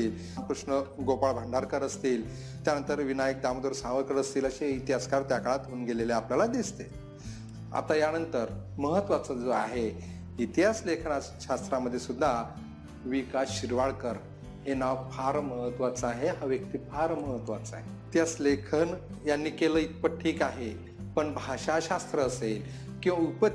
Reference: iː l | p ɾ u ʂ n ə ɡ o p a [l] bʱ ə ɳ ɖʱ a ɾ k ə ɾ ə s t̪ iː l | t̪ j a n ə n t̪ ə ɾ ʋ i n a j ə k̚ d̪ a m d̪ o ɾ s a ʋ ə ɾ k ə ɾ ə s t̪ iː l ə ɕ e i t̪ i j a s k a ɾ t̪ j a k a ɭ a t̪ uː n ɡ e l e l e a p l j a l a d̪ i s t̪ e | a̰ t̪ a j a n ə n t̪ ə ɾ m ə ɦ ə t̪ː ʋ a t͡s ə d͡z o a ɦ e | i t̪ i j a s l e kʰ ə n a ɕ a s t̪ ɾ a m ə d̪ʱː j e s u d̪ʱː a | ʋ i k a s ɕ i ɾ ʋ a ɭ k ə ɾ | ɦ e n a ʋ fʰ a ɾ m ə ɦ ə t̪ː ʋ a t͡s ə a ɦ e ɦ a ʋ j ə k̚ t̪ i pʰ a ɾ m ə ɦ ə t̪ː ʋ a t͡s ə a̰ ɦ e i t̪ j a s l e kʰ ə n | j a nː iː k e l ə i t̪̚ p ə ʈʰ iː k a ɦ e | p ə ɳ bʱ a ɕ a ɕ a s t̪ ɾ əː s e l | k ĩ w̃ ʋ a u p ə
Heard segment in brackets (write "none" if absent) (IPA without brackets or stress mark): ɭ